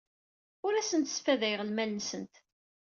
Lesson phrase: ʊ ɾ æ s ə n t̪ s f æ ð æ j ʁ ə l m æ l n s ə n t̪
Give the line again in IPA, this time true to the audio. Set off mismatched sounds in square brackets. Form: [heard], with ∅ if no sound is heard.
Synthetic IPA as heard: ʊ ɾ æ s ə n t̪ s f æ ð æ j ʁ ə l m æ l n s ə n t̪